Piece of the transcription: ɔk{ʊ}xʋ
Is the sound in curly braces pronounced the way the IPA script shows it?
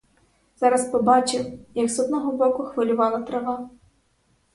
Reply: yes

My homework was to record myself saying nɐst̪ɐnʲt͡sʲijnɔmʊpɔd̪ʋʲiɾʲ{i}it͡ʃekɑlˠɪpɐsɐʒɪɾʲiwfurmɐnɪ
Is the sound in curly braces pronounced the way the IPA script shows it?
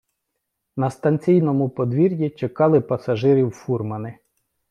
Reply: no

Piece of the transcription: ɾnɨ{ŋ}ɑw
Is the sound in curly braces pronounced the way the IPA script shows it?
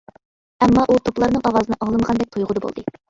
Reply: yes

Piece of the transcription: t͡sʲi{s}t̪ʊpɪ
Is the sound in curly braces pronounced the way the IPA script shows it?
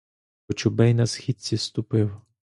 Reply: yes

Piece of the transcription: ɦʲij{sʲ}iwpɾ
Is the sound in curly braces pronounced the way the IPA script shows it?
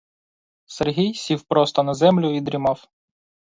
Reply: yes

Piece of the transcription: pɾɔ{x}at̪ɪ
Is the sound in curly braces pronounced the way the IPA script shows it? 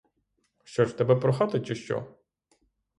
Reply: yes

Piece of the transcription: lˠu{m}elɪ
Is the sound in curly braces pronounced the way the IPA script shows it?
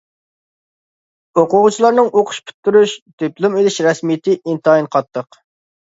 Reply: yes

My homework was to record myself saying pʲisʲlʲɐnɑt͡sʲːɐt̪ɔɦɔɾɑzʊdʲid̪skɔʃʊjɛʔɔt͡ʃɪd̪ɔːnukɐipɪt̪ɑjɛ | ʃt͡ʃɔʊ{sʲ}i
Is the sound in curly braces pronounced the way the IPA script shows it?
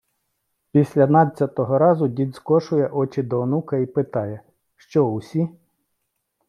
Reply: yes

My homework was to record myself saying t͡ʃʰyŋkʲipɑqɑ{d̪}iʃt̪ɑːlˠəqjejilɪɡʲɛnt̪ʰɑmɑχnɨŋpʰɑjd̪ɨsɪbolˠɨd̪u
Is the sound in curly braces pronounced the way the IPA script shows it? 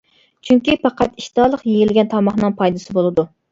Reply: no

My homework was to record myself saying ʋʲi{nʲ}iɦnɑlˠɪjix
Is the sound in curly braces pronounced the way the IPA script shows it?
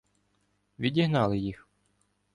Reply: no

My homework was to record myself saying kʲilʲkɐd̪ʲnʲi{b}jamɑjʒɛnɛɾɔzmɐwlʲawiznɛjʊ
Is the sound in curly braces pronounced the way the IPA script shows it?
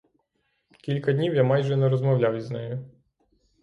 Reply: no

